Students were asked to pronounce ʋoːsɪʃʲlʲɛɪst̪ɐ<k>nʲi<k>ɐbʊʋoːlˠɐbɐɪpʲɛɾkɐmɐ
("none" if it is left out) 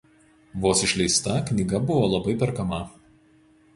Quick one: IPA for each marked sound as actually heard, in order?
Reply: k, ɡ

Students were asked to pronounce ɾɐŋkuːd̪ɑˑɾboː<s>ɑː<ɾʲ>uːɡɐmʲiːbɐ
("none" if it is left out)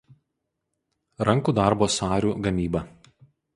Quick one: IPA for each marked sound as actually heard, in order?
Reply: s, ɾʲ

